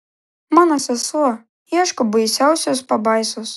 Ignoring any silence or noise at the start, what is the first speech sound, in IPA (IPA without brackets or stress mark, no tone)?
m